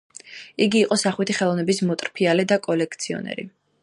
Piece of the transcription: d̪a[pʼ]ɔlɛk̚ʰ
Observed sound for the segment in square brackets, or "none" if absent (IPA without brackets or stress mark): kʼ